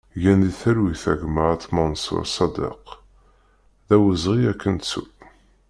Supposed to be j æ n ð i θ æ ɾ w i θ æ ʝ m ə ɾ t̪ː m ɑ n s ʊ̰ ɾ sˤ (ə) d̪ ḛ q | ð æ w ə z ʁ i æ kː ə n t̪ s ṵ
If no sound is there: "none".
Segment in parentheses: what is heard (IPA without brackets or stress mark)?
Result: ɑ